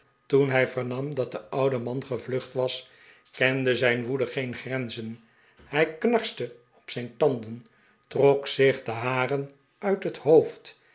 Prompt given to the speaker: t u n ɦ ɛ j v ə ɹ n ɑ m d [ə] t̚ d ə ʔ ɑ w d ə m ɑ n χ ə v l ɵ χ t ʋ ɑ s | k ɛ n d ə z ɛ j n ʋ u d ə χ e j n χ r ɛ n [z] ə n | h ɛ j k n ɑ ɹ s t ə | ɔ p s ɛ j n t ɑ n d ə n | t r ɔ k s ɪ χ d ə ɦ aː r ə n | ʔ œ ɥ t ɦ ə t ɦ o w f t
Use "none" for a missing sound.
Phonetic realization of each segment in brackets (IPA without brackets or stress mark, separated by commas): ɑ, z